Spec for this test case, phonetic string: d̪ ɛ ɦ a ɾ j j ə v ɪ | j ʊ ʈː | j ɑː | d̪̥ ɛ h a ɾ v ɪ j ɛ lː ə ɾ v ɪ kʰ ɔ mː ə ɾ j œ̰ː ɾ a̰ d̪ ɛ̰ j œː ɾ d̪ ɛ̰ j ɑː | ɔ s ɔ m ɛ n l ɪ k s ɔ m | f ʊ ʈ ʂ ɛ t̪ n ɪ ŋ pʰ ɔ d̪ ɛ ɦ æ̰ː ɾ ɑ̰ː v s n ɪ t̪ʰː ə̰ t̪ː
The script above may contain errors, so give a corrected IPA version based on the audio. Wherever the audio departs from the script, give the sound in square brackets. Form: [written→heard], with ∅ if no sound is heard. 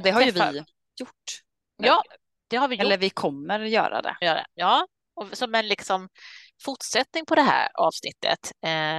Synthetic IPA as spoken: d̪ ɛ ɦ a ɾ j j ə v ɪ | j ʊ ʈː | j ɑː | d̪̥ ɛ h a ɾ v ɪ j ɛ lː ə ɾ v ɪ kʰ ɔ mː ə ɾ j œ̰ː ɾ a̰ d̪ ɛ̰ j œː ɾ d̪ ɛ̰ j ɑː | ɔ s ɔ m ɛ n l ɪ k s ɔ m | f ʊ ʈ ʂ ɛ t̪ n ɪ ŋ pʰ ɔ d̪ ɛ ɦ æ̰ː ɾ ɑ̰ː v s n ɪ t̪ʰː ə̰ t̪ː